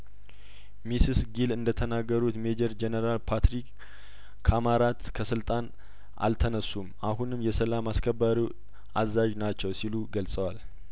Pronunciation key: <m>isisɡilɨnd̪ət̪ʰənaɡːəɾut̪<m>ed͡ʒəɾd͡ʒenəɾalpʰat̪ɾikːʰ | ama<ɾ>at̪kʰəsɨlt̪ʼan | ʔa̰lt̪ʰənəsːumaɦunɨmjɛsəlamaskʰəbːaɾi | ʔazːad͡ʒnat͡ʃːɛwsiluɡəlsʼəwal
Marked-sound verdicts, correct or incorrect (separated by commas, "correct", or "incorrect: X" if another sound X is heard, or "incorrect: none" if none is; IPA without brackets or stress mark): correct, correct, correct